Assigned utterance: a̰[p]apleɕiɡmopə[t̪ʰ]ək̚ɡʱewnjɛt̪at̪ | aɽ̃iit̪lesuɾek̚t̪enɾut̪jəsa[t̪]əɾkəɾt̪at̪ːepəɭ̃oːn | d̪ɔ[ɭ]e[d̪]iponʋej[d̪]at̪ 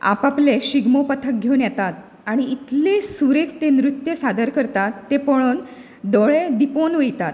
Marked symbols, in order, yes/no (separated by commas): yes, yes, no, yes, yes, no